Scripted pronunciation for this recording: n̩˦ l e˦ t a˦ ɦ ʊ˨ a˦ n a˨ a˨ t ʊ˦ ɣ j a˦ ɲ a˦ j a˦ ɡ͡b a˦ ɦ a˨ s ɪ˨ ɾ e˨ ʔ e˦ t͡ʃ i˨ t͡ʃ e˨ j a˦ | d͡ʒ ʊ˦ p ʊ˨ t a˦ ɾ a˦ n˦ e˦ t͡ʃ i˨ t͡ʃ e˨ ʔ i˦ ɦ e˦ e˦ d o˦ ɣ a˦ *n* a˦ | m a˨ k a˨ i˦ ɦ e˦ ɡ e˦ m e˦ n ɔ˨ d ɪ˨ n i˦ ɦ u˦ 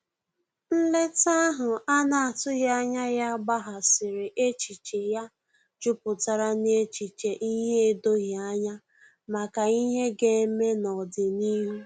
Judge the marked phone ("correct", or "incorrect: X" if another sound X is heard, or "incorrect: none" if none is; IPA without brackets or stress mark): incorrect: ɲ